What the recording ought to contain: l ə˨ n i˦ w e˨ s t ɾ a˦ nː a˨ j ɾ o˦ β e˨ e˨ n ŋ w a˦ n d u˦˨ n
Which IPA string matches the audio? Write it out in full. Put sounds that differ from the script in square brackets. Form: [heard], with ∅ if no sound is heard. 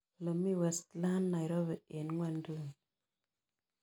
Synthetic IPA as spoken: l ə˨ [m] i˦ w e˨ s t [l] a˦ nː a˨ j ɾ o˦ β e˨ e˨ n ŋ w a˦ n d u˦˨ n